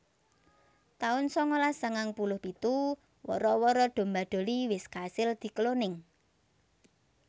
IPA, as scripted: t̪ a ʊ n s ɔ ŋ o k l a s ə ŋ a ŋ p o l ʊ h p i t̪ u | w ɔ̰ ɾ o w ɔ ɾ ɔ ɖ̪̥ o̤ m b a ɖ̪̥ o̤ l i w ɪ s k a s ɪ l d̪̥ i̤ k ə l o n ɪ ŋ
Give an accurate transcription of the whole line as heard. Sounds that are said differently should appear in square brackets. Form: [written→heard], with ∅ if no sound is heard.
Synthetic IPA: t̪ a ʊ n s ɔ ŋ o [k→∅] l a s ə ŋ a ŋ p [o→u] l ʊ h p i t̪ u | w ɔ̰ ɾ [o→ɔ] w ɔ ɾ ɔ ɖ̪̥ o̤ m b a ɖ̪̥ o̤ l i w ɪ s k a s ɪ l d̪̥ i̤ k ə l o n ɪ ŋ